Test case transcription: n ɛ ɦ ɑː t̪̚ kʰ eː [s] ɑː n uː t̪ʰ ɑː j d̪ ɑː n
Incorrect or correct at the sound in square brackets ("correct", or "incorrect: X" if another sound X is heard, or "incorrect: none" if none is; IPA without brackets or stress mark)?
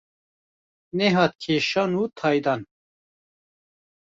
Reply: incorrect: ʃ